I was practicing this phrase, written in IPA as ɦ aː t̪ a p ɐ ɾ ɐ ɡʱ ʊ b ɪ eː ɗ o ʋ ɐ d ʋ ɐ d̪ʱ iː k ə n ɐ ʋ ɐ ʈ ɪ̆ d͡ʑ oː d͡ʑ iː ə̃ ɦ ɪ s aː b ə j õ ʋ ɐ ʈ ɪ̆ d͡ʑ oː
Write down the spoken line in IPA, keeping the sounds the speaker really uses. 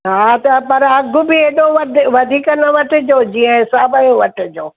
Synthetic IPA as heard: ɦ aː t̪ ɐ p ɐ ɾ ɐ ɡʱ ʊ b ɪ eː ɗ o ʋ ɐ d ʋ ɐ d̪ʱ iː k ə n ɐ ʋ ɐ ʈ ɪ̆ d͡ʑ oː d͡ʑ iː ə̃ ɦ ɪ s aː b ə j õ ʋ ɐ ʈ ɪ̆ d͡ʑ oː